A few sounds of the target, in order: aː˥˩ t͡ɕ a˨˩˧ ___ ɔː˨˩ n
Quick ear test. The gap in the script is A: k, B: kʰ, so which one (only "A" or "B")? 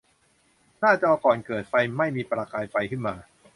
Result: A